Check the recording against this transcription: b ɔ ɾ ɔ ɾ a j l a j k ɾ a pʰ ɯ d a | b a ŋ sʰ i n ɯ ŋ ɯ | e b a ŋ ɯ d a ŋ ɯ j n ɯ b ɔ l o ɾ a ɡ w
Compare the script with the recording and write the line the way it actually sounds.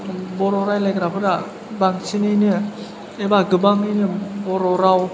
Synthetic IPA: b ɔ ɾ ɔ ɾ a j l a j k ɾ a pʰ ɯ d a | b a ŋ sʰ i n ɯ n ɯ | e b a ɡ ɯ b a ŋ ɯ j n ɯ b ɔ ɾ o ɾ a w